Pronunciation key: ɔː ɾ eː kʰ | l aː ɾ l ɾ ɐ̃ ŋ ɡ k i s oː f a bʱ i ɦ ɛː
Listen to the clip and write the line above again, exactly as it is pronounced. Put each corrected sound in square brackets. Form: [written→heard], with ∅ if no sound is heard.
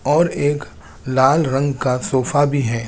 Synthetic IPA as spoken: ɔː ɾ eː [kʰ→k] | l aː [ɾ→∅] l ɾ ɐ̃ ŋ ɡ k [i→a] s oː f a bʱ i ɦ ɛː